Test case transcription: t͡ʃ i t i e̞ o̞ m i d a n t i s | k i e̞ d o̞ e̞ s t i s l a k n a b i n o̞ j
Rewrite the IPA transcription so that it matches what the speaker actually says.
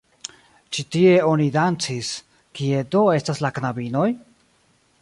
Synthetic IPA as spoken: t͡ʃ i t i e̞ o̞ n i d a n t͡s i s | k i e̞ d o̞ e̞ s t a s l a k n a b i n o̞ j

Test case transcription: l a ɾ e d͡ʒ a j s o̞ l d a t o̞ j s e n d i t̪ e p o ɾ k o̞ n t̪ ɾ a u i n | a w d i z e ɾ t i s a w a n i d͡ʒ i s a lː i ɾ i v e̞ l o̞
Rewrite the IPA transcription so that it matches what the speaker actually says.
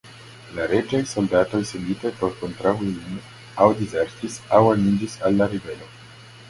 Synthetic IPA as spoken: l a ɾ e d͡ʒ a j s o̞ l d a t o̞ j s e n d i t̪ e p o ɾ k o̞ n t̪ ɾ a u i n | a w d i z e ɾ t i s a w a n i d͡ʒ i s a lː a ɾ i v e̞ l o̞

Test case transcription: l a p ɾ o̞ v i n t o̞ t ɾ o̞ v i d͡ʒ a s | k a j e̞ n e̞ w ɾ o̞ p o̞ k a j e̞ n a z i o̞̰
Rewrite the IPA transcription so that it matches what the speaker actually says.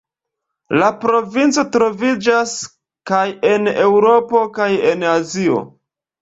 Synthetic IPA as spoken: l a p ɾ o̞ v i n t͡s o̞ t ɾ o̞ v i d͡ʒ a s | k a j e̞ n e̞ w ɾ o̞ p o̞ k a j e̞ n a z i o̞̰

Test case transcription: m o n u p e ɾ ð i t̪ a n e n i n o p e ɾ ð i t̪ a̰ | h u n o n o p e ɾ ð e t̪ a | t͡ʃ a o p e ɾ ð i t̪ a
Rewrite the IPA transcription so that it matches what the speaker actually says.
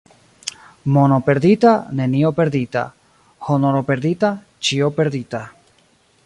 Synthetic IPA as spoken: m o n o p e ɾ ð i t̪ a n e n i o p e ɾ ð i t̪ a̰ | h o n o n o p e ɾ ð i t̪ a | t͡ʃ i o p e ɾ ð i t̪ a

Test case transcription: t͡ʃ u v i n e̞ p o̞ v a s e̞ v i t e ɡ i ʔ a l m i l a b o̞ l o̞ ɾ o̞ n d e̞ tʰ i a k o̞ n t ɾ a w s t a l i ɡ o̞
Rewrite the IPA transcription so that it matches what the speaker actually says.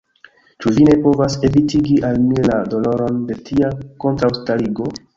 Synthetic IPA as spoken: t͡ʃ u v i n e̞ p o̞ v a s e̞ v i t i ɡ i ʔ a l m i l a d o̞ l o̞ ɾ o̞ n d e̞ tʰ i a k o̞ n t ɾ a w s t a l i ɡ o̞

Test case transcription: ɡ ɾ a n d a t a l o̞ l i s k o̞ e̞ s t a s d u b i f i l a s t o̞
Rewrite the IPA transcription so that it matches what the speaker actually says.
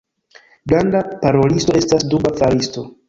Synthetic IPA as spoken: ɡ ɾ a n d a p a ɾ o̞ l i s t o̞ e̞ s t a s d u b a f a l i s t o̞

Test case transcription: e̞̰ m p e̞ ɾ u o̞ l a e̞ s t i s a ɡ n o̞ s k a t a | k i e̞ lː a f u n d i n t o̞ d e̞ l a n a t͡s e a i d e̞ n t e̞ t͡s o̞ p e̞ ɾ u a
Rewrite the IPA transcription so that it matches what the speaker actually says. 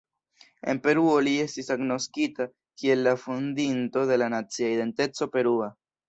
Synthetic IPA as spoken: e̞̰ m p e̞ ɾ u o̞ l i e̞ s t i s a ɡ n o̞ s k i t a | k i e̞ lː a f u n d i n t o̞ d e̞ l a n a t͡s i a i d e̞ n t e̞ t͡s o̞ p e̞ ɾ u a

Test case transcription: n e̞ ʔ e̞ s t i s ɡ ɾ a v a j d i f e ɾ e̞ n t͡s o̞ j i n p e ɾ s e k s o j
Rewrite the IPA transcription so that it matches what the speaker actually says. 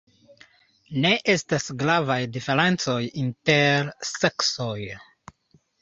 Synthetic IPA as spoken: n e̞ ʔ e̞ s t a s ɡ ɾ a v a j d i f e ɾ e̞ n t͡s o̞ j i n t e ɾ s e k s o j

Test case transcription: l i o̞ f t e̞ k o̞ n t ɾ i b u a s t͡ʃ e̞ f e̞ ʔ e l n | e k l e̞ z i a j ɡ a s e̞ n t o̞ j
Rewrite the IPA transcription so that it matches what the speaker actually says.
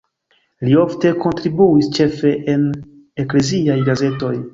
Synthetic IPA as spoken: l i o̞ f t e̞ k o̞ n t ɾ i b u i s t͡ʃ e̞ f e̞ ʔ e n | e k l e̞ z i a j ɡ a z e̞ t o̞ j

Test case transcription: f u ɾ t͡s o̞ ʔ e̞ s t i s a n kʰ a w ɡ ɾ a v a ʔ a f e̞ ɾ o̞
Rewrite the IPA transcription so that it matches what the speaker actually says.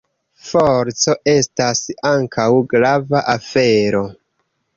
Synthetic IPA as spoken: f o ɾ t͡s o̞ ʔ e̞ s t a s a ŋ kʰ a w ɡ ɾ a v a ʔ a f e̞ ɾ o̞

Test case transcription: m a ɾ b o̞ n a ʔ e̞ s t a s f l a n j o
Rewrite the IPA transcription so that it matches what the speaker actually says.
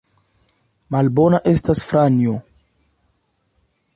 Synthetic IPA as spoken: m a l b o̞ n a ʔ e̞ s t a s f ɾ a n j o

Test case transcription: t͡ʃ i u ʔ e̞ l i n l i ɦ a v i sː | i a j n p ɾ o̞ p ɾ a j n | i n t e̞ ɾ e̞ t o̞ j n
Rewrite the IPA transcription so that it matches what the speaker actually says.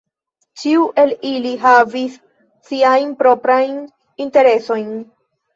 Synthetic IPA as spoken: t͡ʃ i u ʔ e̞ l i l i ɦ a v i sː | i a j n p ɾ o̞ p ɾ a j n | i n t e̞ ɾ e̞ s o̞ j n

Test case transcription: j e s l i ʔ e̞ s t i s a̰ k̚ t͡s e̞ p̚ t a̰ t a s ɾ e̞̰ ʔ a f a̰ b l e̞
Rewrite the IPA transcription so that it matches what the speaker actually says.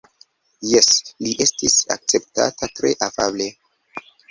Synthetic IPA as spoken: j e s l i ʔ e̞ s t i s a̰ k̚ t͡s e̞ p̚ t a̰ t a t ɾ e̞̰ ʔ a f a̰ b l e̞

